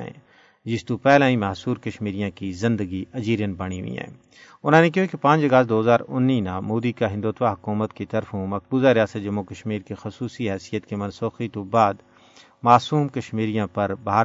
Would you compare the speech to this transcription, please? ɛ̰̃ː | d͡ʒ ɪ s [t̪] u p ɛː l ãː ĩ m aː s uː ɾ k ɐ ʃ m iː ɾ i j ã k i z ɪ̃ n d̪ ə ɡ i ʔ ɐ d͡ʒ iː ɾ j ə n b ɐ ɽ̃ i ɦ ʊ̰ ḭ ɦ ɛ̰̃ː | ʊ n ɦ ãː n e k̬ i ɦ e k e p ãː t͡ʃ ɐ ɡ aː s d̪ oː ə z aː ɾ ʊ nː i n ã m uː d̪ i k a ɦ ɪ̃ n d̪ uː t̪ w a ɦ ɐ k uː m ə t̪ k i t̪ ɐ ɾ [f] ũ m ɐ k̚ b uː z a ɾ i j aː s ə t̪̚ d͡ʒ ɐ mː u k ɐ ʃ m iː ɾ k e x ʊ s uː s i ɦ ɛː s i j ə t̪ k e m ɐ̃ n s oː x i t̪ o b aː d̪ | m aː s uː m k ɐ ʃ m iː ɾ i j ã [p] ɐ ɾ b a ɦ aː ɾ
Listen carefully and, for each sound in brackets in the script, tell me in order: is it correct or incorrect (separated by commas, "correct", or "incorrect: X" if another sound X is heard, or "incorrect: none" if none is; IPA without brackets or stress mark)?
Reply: correct, correct, correct